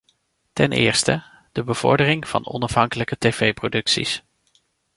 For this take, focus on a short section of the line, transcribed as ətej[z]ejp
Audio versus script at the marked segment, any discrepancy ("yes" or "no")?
yes